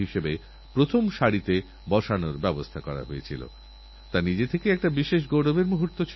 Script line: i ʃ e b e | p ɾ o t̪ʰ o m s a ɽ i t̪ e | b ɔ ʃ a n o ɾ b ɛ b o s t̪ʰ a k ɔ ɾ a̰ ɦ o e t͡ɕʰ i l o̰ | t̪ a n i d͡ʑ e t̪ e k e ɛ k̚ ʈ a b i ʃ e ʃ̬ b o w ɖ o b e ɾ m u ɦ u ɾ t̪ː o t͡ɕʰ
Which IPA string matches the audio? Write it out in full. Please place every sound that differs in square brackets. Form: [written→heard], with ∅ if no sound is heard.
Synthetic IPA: i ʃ e b e | p ɾ o t̪ʰ o m [s→ʃ] a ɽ i t̪ e | b ɔ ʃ a n o ɾ b ɛ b o s t̪ʰ a k ɔ ɾ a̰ ɦ o e t͡ɕʰ i l o̰ | t̪ a n i d͡ʑ e [t̪→t̪ʰ] e k e ɛ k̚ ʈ a b i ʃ e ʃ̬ [b→ɡ] o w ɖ o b e ɾ m u ɦ u ɾ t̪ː o t͡ɕʰ